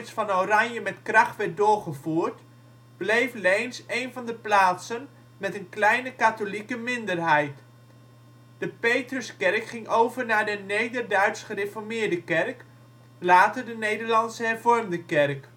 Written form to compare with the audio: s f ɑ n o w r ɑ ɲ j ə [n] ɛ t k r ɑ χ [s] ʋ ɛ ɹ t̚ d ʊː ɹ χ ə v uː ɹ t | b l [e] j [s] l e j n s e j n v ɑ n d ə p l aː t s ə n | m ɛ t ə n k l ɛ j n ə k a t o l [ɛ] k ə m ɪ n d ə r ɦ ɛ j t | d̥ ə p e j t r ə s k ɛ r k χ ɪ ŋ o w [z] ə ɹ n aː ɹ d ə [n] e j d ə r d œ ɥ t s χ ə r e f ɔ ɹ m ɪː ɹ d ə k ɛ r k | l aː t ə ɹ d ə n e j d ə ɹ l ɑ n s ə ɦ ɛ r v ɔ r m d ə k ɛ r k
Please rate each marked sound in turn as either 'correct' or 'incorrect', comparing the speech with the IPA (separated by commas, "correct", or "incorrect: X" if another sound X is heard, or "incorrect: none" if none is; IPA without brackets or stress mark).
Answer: incorrect: m, incorrect: t, correct, incorrect: f, incorrect: i, incorrect: v, correct